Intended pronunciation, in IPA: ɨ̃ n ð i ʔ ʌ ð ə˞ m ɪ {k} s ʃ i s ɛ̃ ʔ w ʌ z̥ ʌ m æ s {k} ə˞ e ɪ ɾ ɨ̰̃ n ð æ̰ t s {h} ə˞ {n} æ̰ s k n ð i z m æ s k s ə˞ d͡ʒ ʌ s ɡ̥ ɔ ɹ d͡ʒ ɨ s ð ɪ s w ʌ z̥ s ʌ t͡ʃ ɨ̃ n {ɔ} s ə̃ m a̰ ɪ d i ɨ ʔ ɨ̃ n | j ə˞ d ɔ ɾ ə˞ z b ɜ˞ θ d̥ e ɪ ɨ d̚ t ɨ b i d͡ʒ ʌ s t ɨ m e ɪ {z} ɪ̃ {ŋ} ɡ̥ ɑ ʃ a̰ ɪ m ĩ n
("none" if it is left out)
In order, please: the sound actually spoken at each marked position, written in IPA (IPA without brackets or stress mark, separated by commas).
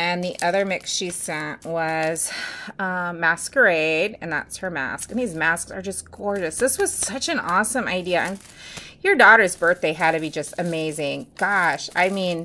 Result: k, k, h, m, ɔ, z, ŋ